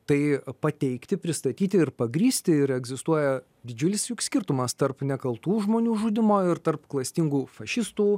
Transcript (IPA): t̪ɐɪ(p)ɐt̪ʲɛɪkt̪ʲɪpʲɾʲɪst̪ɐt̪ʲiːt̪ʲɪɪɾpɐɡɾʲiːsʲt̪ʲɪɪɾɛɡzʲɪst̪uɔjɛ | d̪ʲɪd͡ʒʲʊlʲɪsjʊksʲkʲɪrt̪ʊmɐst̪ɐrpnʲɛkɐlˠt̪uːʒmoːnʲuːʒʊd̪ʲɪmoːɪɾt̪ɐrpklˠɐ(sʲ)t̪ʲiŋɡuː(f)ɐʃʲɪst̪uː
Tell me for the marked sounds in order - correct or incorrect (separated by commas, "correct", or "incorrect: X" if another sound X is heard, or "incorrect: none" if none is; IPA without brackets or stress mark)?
correct, correct, correct